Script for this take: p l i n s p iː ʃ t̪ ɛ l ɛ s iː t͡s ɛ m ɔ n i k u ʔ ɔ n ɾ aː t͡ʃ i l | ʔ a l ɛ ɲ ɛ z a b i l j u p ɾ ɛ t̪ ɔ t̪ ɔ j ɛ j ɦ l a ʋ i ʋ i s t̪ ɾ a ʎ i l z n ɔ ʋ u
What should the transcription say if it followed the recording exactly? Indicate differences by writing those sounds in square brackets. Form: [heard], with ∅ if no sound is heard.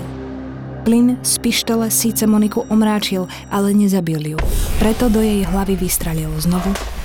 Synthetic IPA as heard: p l i n s p [i] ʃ t̪ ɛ l ɛ s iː t͡s ɛ m ɔ n i k u ʔ ɔ [m] ɾ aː t͡ʃ i l | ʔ a l ɛ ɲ ɛ z a b i l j u p ɾ ɛ t̪ ɔ [d̪] ɔ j ɛ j ɦ l a ʋ i ʋ i s t̪ ɾ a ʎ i l z n ɔ ʋ u